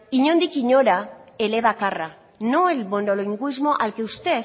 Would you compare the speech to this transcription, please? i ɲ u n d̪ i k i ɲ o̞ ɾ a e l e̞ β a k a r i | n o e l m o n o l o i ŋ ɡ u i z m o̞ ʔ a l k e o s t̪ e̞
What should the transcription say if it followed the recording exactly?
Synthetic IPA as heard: i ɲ o n d̪ i k i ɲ o̞ ɾ a e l e̞ β a k a r a | n o e l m o n o l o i ŋ ɡ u i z m o̞ ʔ a l k e u s t̪ e̞